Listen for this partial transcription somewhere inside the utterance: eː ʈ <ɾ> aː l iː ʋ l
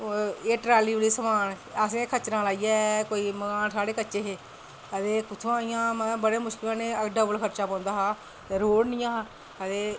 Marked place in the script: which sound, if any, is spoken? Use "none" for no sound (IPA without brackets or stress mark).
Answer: ɾ